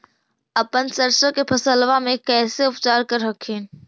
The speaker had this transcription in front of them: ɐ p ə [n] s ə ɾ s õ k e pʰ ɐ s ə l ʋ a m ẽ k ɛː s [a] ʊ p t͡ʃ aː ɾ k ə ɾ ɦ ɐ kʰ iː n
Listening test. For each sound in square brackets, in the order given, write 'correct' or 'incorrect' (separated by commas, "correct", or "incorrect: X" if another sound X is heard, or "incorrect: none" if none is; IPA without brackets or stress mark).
correct, incorrect: e